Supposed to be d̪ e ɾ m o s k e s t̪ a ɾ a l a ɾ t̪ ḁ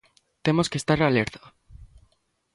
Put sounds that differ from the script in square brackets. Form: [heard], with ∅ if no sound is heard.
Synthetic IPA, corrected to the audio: [t̪] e [∅] m o s k e s t̪ a ɾ a l [e] ɾ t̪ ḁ